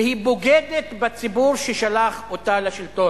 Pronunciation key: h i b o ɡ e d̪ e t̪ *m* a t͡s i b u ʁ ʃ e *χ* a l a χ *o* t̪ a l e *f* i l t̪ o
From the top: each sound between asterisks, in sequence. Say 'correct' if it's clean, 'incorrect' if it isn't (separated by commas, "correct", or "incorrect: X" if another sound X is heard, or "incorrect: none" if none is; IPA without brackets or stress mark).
incorrect: b, incorrect: ʃ, correct, incorrect: ʃ